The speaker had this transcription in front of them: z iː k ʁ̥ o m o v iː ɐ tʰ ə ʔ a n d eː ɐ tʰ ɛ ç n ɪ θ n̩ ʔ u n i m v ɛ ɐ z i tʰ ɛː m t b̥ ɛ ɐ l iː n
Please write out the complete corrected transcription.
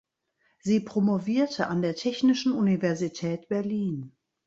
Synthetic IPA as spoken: z iː p ʁ̥ o m o v iː ɐ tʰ ə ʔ a n d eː ɐ tʰ ɛ ç n ɪ ʃ n̩ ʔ u n i v ɛ ɐ z i tʰ ɛː t b̥ ɛ ɐ l iː n